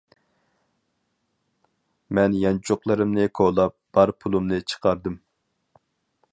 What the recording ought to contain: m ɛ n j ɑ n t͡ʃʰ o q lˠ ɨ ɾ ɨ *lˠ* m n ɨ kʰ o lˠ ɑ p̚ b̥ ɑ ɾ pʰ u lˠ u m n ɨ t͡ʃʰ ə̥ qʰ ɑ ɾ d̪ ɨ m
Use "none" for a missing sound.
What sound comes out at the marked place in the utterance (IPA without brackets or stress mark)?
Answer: none